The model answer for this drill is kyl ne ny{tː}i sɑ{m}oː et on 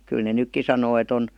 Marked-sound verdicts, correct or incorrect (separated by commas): incorrect, incorrect